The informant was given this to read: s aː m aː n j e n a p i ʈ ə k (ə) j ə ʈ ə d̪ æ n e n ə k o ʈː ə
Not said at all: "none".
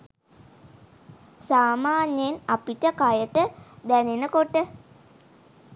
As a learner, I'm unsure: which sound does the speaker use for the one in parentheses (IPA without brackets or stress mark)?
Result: a